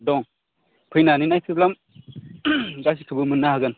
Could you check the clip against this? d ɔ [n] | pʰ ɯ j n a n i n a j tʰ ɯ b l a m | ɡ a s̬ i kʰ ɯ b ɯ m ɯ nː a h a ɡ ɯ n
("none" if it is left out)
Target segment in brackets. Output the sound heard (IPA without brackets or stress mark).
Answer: ŋ